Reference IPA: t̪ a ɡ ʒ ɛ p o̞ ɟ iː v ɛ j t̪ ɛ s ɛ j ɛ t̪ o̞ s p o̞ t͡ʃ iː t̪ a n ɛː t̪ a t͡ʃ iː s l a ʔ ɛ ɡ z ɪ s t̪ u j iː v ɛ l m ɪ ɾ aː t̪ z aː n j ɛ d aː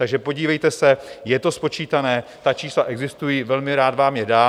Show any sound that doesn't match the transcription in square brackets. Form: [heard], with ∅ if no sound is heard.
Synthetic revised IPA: t̪ a ɡ ʒ ɛ p o̞ ɟ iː v ɛ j t̪ ɛ s ɛ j ɛ t̪ o̞ s p o̞ t͡ʃ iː t̪ a n ɛː t̪ a t͡ʃ iː s l a ʔ ɛ ɡ z ɪ s t̪ u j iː v ɛ l m ɪ ɾ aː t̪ [v] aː [m] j ɛ d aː

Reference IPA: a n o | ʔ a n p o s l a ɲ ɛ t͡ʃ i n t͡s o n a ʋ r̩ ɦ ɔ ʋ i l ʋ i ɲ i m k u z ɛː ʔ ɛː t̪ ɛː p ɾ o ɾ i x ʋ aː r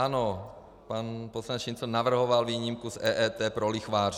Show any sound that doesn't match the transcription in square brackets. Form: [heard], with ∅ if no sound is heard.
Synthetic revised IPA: a n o | [p] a n p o s l a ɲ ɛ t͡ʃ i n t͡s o n a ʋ r̩ ɦ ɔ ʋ [a] l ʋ [iː] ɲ i m k u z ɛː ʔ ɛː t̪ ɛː p ɾ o [l] i x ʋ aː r

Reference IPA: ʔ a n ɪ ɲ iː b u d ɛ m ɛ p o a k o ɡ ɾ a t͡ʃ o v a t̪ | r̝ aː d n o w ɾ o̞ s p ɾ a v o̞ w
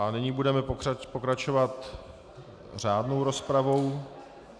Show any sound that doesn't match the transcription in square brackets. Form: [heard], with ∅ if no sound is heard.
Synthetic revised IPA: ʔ a n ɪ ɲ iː b u d ɛ m ɛ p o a [p] o [k] ɾ a t͡ʃ o v a t̪ | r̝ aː d n o w ɾ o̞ s p ɾ a v o̞ w

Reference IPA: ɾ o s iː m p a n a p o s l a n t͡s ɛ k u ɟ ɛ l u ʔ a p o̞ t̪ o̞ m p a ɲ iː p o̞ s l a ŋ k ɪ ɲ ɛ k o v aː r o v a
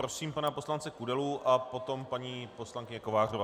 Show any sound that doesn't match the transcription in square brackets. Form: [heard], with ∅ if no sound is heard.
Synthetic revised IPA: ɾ o s iː m p a n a p o s l a n t͡s ɛ k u [d] ɛ l u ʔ a p o̞ t̪ o̞ m p a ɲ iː p o̞ s l a ŋ k ɪ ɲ ɛ k o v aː r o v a

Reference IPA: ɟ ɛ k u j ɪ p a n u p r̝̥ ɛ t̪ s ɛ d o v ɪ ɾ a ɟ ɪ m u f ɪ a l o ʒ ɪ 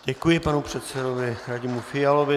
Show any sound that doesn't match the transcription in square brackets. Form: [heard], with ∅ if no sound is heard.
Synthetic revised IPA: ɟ ɛ k u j ɪ p a n u p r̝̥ ɛ t̪ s ɛ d o v ɪ ɾ a ɟ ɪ m u f ɪ a l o [v] ɪ

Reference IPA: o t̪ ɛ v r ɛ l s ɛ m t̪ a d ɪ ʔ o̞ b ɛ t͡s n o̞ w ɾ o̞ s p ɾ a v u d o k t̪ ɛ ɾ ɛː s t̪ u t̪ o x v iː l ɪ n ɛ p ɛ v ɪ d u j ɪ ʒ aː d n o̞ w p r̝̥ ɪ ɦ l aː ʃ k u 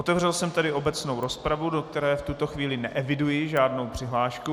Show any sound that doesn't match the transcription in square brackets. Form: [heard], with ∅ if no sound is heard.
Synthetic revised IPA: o t̪ ɛ v r ɛ l s ɛ m t̪ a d ɪ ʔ o̞ b ɛ t͡s n o̞ w ɾ o̞ s p ɾ a v u d o k t̪ ɛ ɾ ɛː [f] t̪ u t̪ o x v iː l ɪ n ɛ [ʔ] ɛ v ɪ d u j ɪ ʒ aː d n o̞ w p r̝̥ ɪ ɦ l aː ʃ k u

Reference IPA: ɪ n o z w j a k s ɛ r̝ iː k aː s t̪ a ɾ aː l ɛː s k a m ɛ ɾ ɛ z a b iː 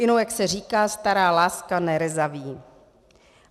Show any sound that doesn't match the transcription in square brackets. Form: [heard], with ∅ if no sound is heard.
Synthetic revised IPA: ɪ n o [∅] w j a k s ɛ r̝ iː k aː s t̪ a ɾ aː l [aː] s k a [n] ɛ ɾ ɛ z a [v] iː

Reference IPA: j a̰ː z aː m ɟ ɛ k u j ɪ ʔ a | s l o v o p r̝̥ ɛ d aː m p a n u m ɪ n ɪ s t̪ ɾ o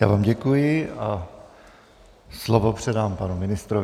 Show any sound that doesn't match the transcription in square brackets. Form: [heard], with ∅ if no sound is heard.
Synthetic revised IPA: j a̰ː [v] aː m ɟ ɛ k u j ɪ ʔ a | s l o v o p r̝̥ ɛ d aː m p a n u m ɪ n ɪ s t̪ ɾ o

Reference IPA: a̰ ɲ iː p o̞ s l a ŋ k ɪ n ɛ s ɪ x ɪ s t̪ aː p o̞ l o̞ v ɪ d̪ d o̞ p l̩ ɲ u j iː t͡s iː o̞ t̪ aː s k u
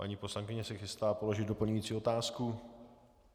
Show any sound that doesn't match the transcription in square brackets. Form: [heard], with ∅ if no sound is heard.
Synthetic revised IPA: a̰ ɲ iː p o̞ s l a ŋ k ɪ [ɲ] ɛ s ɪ x ɪ s t̪ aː p o̞ l o̞ [ʒ] ɪ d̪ d o̞ p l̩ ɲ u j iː t͡s iː o̞ t̪ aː s k u

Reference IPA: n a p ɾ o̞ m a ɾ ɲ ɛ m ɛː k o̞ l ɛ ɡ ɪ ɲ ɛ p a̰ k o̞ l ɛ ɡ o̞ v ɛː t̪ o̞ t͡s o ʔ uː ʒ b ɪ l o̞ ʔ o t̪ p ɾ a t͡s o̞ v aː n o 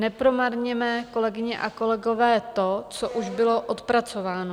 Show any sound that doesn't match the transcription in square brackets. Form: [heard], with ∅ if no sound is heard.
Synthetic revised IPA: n [ɛ] p ɾ o̞ m a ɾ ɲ ɛ m ɛː k o̞ l ɛ ɡ ɪ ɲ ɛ [ʔ] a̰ k o̞ l ɛ ɡ o̞ v ɛː t̪ o̞ t͡s o ʔ [u] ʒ b ɪ l o̞ ʔ o t̪ p ɾ a t͡s o̞ v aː n o

